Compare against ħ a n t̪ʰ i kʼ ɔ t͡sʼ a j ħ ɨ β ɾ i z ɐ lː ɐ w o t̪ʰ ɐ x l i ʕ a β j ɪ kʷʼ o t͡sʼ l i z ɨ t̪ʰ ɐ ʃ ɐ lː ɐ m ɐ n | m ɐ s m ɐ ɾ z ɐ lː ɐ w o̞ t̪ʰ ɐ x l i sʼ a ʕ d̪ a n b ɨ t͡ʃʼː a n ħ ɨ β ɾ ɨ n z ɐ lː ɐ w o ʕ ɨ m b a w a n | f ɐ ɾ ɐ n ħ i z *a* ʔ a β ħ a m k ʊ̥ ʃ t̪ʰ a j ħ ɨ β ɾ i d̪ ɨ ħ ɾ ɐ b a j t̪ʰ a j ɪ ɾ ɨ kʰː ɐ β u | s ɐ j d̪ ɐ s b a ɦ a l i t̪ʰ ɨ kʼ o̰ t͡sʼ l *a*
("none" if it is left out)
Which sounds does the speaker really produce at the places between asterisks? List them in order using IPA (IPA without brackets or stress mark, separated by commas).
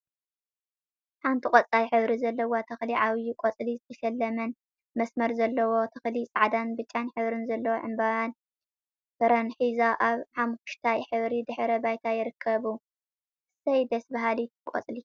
a, i